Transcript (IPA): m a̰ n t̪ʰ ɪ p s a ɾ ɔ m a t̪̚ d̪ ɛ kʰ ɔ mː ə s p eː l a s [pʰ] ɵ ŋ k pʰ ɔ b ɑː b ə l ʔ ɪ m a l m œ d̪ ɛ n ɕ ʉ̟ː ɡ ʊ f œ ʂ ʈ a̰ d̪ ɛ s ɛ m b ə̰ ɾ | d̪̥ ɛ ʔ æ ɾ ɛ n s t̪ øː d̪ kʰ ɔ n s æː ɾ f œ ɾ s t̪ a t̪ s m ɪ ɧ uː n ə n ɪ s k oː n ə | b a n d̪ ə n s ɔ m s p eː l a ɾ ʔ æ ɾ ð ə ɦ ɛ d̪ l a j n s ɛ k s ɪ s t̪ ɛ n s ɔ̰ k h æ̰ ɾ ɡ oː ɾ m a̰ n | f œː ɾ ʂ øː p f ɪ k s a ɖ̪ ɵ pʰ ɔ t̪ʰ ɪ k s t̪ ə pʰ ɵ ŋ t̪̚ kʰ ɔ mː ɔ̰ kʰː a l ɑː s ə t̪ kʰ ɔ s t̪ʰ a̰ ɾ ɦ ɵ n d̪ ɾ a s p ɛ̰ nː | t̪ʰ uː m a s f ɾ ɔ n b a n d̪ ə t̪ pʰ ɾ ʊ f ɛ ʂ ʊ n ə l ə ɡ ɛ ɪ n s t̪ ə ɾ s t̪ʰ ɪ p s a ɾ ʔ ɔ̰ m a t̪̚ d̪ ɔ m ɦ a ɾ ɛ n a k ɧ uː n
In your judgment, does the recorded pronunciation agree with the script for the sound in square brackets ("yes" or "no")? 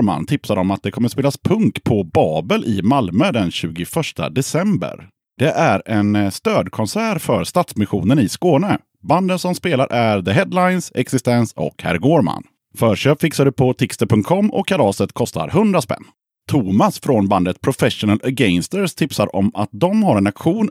yes